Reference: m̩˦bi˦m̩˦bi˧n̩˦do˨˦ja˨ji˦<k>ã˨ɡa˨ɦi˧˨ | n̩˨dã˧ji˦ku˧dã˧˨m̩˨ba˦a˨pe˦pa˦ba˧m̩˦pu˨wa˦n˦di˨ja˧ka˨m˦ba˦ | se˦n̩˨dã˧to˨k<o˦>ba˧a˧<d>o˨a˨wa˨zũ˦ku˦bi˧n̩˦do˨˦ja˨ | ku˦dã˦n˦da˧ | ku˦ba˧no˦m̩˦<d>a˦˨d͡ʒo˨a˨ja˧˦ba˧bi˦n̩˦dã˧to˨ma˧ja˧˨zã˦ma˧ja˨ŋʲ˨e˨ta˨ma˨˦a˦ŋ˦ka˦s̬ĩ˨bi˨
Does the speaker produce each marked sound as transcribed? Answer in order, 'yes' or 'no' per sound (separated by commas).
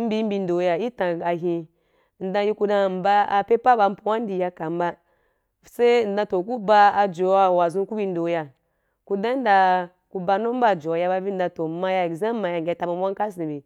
no, no, no, no